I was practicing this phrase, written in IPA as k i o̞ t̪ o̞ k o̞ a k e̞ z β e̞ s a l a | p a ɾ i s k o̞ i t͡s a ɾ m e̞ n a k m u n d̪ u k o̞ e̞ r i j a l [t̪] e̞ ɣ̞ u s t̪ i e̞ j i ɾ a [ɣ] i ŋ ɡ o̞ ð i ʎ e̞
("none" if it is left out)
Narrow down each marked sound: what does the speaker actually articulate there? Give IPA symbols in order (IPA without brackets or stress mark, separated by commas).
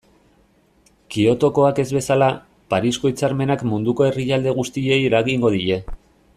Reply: d̪, ɣ